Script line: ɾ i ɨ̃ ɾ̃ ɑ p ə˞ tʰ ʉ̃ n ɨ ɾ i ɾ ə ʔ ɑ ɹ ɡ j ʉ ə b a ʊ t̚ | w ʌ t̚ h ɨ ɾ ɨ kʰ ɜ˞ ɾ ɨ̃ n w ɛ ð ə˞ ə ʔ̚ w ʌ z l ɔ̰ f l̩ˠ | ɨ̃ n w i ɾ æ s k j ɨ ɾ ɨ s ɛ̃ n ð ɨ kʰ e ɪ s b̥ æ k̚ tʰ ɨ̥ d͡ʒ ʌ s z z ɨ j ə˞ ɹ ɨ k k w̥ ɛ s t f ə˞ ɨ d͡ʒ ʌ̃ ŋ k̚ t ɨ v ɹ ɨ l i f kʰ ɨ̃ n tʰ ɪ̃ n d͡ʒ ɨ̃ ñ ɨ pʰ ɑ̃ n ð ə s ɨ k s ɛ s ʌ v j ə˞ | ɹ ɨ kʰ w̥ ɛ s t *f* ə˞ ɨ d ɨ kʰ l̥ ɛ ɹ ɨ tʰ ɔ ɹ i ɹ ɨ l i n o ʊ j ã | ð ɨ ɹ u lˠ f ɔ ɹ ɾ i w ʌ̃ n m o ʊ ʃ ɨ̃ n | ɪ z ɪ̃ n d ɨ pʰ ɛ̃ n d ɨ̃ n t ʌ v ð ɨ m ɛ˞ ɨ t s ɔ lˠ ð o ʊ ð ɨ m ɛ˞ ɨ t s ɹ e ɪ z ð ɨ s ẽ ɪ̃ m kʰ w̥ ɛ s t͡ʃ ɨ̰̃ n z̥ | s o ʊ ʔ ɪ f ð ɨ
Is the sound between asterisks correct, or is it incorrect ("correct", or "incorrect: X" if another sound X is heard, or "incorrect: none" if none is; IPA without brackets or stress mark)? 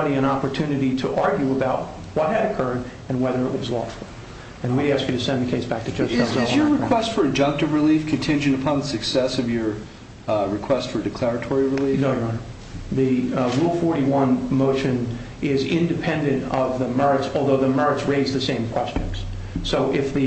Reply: correct